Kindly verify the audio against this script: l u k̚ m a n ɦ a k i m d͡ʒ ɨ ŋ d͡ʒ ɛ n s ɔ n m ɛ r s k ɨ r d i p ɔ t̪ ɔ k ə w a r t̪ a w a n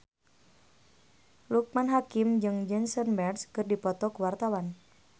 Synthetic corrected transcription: l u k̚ m a n ɦ a k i m d͡ʒ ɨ ŋ d͡ʒ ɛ n s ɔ n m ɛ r s k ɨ r d i p ɔ t̪ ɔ k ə w a r t̪ a w a n